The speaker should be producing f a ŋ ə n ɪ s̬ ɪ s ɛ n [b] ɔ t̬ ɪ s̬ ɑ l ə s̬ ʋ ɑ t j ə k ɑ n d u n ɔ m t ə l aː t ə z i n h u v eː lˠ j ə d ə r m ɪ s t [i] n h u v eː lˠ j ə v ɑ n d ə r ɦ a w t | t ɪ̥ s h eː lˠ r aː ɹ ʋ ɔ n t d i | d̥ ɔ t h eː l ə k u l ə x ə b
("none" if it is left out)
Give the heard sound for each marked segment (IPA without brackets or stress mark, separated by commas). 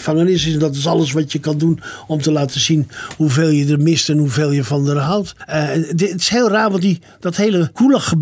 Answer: d, ɛ